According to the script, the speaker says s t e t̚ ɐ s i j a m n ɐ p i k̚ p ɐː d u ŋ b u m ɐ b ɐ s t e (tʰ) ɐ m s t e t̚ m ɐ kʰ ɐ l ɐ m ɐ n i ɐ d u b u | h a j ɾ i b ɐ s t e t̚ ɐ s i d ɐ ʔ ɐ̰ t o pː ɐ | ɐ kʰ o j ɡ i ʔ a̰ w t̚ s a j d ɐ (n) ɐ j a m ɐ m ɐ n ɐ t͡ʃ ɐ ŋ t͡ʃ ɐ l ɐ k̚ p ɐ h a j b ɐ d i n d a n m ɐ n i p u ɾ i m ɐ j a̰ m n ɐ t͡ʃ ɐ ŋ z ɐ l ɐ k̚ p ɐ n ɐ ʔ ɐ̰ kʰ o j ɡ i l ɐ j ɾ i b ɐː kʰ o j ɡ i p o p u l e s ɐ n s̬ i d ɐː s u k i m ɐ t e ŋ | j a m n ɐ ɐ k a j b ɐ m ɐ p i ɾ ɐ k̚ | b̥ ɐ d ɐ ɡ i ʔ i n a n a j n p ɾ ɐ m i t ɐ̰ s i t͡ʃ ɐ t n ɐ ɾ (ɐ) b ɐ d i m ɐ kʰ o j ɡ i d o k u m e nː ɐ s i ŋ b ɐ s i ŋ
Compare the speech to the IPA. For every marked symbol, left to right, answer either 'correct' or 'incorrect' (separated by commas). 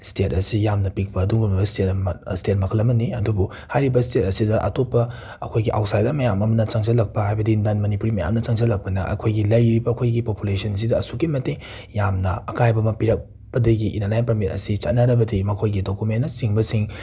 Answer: incorrect, incorrect, correct